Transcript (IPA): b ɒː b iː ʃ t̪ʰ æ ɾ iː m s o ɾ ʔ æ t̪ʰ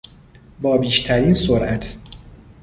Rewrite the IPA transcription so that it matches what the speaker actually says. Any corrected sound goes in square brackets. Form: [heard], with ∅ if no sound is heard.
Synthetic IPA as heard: b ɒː b iː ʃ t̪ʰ æ ɾ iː [n] s o ɾ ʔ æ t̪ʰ